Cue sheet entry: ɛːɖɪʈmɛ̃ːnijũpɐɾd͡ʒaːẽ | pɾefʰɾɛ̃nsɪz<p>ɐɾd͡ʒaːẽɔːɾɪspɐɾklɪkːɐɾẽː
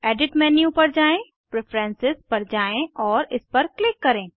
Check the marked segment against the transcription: correct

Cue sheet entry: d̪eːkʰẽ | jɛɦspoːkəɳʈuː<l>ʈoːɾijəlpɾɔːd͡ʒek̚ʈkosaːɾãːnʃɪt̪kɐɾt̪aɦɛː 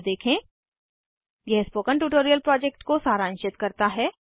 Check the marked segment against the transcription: incorrect: none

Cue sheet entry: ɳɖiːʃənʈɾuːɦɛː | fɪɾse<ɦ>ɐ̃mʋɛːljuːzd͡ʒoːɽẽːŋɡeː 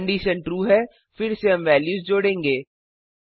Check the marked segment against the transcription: correct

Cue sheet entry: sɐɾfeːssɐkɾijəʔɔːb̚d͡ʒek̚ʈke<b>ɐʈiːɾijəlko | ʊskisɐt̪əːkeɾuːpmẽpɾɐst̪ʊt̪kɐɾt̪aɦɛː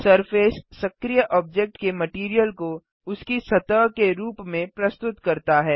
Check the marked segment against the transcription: incorrect: m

